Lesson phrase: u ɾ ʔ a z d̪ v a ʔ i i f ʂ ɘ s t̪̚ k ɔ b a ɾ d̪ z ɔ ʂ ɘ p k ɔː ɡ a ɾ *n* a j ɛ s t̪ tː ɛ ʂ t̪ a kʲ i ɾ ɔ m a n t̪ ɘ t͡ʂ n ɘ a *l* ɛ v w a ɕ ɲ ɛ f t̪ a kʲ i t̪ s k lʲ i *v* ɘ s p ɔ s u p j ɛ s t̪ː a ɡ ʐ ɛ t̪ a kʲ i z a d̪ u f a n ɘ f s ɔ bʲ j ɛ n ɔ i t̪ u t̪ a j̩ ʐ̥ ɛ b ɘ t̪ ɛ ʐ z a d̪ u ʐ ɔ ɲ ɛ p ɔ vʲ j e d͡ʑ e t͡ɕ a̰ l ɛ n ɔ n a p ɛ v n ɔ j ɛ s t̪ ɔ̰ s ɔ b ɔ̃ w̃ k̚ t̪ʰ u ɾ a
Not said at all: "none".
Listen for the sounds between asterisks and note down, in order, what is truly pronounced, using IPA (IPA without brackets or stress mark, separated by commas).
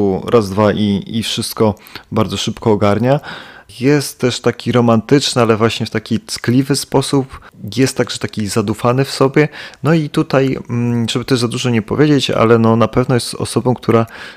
ɲ, l, v